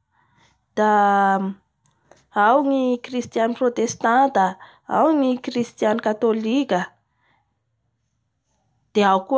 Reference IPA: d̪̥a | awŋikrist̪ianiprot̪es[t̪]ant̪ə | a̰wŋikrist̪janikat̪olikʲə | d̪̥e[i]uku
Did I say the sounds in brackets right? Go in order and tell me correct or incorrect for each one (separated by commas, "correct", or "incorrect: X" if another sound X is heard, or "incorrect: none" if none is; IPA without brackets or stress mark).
correct, incorrect: a